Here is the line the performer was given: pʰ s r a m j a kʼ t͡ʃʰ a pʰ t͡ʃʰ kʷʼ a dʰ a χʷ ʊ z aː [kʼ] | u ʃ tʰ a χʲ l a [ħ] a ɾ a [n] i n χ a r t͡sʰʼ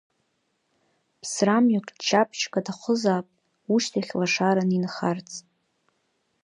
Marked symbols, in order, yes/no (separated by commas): no, no, yes